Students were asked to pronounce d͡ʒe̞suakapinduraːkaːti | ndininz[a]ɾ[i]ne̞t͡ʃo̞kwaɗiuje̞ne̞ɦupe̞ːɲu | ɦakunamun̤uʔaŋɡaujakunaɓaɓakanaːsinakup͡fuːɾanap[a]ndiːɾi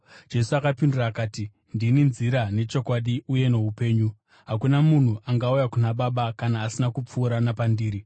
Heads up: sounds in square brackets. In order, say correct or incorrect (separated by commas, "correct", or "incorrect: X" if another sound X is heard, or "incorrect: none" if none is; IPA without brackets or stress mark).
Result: incorrect: i, incorrect: a, correct